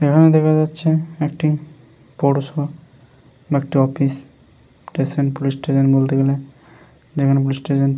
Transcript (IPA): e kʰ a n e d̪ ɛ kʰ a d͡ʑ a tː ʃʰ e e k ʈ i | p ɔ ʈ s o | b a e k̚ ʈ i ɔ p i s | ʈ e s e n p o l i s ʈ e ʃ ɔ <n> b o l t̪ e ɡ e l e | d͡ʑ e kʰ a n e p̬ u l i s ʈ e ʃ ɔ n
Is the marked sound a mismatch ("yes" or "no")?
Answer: no